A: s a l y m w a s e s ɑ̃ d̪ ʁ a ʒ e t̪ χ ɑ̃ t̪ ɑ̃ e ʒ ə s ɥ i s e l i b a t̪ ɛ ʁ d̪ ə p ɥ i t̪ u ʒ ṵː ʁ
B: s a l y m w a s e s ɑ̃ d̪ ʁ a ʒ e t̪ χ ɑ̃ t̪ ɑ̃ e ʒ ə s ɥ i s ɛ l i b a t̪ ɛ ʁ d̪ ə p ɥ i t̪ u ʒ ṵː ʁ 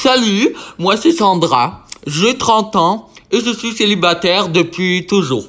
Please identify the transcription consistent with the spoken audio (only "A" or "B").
A